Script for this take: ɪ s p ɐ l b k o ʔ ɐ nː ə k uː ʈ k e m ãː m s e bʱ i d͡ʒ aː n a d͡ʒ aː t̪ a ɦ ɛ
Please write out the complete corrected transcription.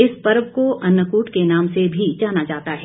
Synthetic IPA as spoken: ɪ s p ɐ ɾ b k o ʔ ɐ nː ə k uː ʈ k e n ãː m s e bʱ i d͡ʒ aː n a d͡ʒ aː t̪ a ɦ ɛ